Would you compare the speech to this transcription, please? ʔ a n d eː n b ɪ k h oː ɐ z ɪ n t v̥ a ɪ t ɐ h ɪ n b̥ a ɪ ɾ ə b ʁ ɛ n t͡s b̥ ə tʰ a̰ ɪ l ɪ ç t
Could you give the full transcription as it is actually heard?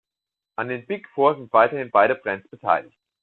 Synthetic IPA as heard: ʔ a n d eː n b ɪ k f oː ɐ z ɪ n t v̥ a ɪ t ɐ h ɪ n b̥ a ɪ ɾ ə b ʁ ɛ n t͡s b̥ ə tʰ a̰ ɪ l ɪ ç t